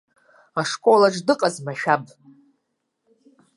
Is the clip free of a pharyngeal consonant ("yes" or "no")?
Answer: yes